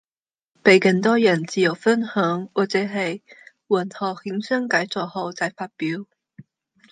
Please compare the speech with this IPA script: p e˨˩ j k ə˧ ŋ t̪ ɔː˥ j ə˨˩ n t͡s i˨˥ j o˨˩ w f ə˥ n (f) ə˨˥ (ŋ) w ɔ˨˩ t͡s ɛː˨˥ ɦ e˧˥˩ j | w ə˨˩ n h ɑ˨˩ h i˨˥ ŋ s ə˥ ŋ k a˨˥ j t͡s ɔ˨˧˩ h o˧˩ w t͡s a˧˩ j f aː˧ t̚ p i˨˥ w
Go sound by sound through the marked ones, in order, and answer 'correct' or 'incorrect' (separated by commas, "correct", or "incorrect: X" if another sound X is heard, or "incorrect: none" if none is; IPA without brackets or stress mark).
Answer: incorrect: h, correct